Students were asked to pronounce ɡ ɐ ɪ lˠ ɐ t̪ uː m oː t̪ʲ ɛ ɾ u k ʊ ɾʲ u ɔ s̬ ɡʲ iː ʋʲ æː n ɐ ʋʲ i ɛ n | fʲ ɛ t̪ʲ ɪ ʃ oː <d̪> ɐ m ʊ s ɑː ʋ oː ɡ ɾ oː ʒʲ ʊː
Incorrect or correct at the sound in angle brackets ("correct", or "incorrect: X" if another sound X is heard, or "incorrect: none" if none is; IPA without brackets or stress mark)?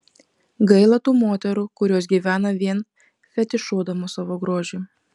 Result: correct